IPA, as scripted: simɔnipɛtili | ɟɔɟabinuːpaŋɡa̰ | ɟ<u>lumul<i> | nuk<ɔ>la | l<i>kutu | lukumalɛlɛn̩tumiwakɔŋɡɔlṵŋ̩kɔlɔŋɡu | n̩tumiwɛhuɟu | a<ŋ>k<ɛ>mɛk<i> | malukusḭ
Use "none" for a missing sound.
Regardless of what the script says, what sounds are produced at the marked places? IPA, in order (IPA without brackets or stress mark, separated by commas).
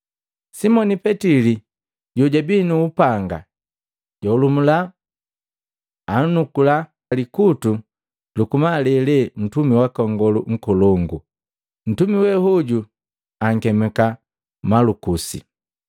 ɔ, a, u, i, ŋ, ɛ, a